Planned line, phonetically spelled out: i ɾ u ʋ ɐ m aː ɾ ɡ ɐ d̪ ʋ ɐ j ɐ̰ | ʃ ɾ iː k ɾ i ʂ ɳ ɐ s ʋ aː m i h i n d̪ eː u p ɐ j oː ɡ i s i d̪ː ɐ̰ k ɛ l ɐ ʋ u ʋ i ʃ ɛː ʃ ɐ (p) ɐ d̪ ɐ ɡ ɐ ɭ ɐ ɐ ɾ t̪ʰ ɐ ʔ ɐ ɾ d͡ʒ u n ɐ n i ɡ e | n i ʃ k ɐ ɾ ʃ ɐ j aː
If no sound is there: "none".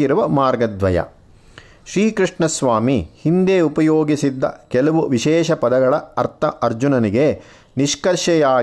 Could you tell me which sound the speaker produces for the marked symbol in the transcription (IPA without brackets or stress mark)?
p